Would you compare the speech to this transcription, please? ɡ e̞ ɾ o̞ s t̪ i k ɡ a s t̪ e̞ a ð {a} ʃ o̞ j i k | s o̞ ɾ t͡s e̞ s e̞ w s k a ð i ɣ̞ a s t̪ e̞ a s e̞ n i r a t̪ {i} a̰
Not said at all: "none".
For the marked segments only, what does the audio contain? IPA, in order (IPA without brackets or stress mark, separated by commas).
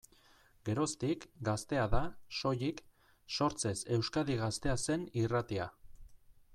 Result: a, i